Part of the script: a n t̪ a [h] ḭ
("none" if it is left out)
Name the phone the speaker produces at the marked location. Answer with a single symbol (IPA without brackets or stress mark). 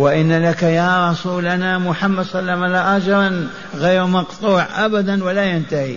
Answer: h